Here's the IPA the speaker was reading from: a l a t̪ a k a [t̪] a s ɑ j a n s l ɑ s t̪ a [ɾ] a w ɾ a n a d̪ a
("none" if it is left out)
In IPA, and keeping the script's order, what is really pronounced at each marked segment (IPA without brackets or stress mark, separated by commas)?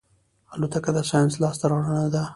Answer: d̪, ɾ